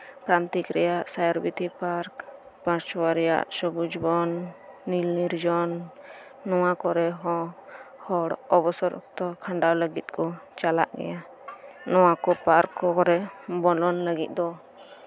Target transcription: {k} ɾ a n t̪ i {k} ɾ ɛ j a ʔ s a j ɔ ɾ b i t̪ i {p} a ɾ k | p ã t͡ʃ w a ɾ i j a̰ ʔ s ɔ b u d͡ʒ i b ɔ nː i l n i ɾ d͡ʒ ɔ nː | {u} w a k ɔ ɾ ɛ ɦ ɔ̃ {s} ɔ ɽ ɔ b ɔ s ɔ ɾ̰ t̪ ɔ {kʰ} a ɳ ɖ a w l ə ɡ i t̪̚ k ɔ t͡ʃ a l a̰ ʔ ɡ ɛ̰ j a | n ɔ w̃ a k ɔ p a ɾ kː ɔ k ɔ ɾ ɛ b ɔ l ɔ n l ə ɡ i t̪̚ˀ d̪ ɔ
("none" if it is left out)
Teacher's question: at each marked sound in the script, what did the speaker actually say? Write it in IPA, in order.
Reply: p, k, p, ɔ, h, kʰ

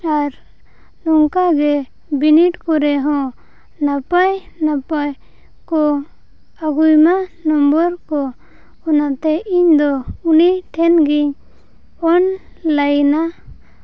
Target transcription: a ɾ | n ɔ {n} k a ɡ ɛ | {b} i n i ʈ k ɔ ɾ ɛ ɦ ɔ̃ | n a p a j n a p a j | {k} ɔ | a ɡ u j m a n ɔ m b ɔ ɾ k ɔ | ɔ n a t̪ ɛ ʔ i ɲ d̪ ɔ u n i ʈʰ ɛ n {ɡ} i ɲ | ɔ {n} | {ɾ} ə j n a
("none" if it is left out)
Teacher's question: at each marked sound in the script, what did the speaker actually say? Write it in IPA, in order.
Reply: ŋ, b, k, ɡ, n, l

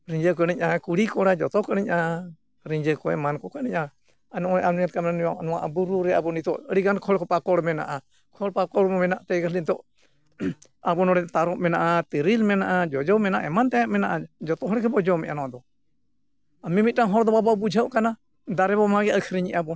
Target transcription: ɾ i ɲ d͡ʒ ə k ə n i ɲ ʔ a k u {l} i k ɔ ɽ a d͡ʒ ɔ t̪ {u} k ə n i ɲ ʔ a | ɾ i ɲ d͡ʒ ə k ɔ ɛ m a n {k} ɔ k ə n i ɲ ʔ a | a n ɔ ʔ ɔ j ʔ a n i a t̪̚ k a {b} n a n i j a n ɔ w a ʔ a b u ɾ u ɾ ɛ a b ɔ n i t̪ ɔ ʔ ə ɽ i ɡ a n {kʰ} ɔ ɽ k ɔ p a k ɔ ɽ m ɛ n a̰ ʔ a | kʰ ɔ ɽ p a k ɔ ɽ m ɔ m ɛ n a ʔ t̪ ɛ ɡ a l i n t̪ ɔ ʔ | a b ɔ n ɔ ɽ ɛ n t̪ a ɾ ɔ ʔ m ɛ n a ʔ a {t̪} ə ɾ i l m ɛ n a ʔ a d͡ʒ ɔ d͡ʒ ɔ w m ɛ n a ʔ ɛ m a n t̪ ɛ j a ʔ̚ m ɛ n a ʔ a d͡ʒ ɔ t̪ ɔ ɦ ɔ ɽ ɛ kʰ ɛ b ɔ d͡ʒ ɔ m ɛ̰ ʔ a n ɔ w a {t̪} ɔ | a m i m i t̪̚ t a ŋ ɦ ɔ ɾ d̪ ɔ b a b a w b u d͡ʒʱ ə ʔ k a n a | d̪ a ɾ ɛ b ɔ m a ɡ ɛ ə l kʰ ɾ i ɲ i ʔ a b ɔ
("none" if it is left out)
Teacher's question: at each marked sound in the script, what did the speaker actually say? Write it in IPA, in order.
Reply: ɽ, ɔ, k, m, kʰ, t̪, d̪

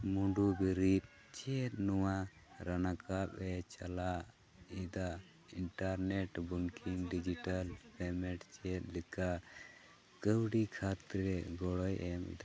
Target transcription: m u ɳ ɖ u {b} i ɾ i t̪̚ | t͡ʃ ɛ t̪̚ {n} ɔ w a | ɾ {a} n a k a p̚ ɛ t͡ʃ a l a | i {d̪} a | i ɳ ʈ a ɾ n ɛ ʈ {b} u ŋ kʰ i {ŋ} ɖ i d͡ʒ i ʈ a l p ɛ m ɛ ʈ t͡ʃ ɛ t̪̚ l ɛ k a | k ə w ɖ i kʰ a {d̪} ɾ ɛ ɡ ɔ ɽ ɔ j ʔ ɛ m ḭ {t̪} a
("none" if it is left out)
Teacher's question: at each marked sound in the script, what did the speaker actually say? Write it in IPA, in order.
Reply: b, n, a, d̪, b, ŋ, t̪, d̪

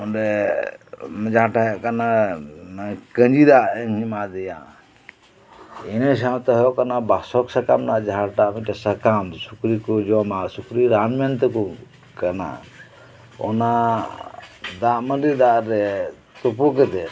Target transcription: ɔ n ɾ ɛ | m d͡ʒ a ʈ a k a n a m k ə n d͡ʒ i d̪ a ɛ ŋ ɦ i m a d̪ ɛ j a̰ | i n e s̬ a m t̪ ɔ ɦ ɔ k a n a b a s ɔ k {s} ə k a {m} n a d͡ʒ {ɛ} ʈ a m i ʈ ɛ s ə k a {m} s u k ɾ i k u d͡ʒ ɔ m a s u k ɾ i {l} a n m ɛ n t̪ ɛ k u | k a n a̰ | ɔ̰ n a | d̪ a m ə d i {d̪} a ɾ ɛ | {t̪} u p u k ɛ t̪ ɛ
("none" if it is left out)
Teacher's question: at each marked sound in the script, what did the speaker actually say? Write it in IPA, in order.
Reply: s, m, a, m, ɾ, d̪, t̪

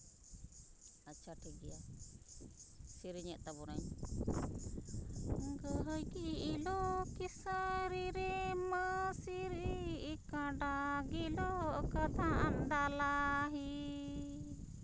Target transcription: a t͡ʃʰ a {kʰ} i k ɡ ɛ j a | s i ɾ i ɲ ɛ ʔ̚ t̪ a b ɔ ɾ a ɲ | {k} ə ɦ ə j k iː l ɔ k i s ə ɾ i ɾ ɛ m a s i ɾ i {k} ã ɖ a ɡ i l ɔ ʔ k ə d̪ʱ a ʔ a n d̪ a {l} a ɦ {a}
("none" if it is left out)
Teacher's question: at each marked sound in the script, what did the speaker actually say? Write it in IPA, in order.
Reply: ʈʰ, ɡ, k, l, i

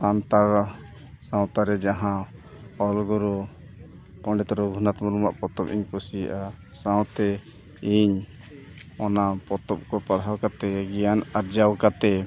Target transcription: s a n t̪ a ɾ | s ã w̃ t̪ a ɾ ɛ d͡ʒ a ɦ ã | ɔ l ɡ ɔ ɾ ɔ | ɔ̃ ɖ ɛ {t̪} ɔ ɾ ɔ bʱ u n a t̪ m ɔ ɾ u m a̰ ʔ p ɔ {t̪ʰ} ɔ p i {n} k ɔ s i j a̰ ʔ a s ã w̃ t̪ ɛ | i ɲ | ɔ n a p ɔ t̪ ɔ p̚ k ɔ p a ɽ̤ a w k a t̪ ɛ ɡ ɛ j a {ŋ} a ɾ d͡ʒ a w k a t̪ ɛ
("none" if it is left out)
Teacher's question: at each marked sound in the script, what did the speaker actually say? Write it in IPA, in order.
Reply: t̪, t̪, ɲ, n

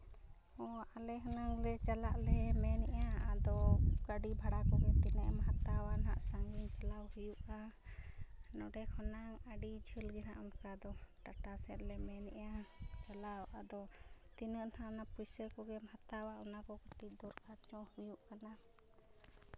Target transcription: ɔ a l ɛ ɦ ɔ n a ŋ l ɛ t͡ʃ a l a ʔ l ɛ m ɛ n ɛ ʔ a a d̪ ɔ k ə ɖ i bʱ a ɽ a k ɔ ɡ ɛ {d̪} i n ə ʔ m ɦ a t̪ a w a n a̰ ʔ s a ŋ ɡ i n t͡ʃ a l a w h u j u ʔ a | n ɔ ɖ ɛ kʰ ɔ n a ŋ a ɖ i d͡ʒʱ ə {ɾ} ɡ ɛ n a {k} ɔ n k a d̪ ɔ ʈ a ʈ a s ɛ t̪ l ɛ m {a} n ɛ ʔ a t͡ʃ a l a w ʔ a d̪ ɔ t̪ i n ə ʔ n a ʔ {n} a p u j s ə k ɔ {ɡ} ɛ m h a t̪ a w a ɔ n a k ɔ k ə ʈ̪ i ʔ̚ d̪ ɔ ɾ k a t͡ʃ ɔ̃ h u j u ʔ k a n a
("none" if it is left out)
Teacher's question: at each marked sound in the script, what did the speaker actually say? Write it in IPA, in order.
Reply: t̪, l, ʔ, ɛ, n, ɡ

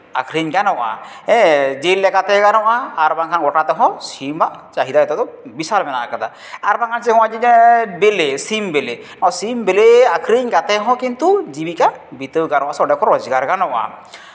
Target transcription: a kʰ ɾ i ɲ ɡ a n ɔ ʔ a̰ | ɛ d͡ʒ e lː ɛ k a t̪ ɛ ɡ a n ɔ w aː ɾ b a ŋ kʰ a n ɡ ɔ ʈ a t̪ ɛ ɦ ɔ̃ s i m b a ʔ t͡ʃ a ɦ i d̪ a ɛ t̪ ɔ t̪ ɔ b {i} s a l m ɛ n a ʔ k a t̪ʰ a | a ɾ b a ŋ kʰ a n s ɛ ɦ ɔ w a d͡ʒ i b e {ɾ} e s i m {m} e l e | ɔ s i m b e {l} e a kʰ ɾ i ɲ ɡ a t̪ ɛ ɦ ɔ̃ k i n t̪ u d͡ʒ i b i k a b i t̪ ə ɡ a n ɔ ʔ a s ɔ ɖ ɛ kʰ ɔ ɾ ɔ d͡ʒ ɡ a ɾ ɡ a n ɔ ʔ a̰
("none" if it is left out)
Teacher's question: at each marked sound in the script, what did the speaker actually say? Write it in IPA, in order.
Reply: i, l, b, l

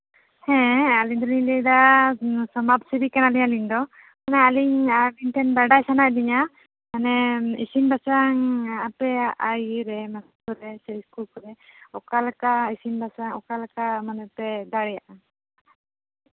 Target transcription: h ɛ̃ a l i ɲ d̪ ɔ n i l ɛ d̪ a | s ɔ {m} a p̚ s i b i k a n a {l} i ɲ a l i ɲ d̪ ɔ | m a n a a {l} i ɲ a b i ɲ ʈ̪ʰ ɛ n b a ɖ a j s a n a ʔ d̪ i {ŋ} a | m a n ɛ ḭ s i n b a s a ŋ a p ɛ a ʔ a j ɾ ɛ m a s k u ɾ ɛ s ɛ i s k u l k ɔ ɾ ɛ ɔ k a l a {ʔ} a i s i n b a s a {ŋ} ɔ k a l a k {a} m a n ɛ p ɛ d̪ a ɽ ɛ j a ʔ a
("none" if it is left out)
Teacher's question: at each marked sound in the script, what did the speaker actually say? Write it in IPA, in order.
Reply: m, l, l, ɲ, k, ŋ, a

